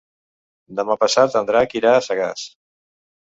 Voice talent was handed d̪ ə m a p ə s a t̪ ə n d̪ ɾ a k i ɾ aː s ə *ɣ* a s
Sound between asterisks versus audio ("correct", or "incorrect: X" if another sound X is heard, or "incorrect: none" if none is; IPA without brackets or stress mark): correct